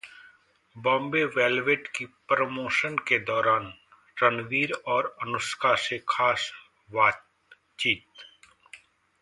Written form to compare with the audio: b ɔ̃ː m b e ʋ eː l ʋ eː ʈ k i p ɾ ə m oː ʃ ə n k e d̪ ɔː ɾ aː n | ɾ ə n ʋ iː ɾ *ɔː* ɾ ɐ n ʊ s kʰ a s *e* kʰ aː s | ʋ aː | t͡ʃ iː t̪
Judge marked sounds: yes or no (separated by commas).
yes, yes